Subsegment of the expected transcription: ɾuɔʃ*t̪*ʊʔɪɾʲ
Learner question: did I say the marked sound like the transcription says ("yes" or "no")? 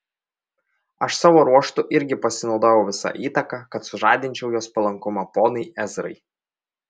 yes